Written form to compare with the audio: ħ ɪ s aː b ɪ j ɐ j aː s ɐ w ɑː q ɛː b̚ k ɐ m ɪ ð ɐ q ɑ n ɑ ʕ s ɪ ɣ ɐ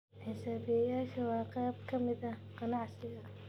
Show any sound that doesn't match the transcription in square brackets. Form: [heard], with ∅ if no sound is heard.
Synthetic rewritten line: ħ ɪ s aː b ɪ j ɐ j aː [ʃ] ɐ w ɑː q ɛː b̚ [kʰ] ɐ m ɪ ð ɐ q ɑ n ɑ ʕ s ɪ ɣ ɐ